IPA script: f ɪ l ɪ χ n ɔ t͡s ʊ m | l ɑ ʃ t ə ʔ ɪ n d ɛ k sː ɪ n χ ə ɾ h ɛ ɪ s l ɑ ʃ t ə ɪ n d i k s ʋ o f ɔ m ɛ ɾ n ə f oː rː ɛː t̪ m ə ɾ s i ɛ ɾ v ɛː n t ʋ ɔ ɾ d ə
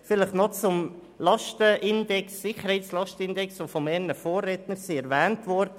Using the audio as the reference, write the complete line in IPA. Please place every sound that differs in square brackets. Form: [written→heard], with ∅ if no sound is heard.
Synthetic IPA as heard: f ɪ l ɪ χ n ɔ t͡s ʊ m | l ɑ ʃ t ə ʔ ɪ n d ɛ k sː ɪ [n→∅] χ ə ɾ h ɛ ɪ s l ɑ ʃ t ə ɪ n d [i→ɛ] k s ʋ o f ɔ m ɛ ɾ n ə f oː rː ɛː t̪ [m→n] ə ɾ s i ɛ ɾ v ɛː n t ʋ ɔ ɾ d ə

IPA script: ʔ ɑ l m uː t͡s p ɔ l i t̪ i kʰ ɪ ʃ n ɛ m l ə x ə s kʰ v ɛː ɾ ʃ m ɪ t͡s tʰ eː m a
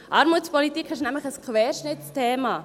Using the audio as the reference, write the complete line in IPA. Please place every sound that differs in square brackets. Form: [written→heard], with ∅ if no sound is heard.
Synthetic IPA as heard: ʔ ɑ [l→ɾ] m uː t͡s p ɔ l i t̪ i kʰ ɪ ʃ n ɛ m l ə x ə s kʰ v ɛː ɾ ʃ [m→n] ɪ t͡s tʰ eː m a

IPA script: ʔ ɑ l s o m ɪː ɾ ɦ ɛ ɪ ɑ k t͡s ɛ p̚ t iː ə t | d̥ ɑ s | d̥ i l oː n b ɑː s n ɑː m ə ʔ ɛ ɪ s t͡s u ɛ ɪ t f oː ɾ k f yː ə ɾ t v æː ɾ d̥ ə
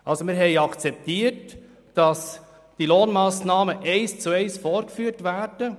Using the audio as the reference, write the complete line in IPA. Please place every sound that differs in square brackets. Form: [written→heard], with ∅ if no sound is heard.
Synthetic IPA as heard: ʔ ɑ l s o m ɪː ɾ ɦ ɛ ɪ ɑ k t͡s ɛ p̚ t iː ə t | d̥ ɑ s | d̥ i l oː n [b→m] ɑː s n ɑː m ə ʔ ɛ ɪ s t͡s u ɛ ɪ [t→s] f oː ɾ k f yː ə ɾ t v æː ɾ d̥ ə

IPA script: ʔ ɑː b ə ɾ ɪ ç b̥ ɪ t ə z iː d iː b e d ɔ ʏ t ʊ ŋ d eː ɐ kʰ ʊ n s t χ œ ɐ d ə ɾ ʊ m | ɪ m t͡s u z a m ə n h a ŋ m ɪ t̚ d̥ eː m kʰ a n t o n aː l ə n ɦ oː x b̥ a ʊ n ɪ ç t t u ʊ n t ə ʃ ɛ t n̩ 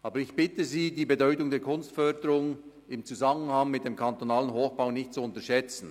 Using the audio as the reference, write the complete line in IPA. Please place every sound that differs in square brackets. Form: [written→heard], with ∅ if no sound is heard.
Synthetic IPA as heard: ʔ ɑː b ə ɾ ɪ ç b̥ ɪ t ə z iː d iː b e d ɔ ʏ t ʊ ŋ d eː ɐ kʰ ʊ n s t [χ→f] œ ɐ d ə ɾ ʊ [m→ŋ] | ɪ m t͡s u z a m ə n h a ŋ m ɪ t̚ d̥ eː m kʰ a n t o n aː l ə n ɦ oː x b̥ a ʊ n ɪ ç t [t→t͡s] u ʊ n t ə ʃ ɛ [t→t͡s] n̩

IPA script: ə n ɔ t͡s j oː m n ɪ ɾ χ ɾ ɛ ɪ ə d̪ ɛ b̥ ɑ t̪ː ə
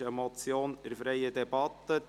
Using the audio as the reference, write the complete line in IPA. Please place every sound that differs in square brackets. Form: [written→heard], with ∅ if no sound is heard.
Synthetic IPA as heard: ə [n→m] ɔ t͡s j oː [m→∅] n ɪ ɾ [χ→f] ɾ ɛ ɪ ə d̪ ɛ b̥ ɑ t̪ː ə

